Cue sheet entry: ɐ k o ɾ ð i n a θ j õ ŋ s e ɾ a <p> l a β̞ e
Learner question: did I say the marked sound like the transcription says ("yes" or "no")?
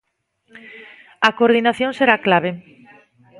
no